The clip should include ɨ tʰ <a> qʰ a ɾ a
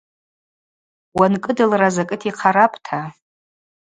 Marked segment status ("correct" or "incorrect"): incorrect